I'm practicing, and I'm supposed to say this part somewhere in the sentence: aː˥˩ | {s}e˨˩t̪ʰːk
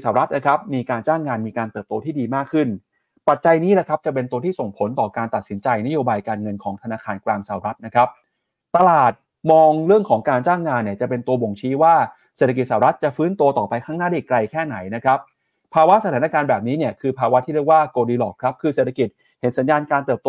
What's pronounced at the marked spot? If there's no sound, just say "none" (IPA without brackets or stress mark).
s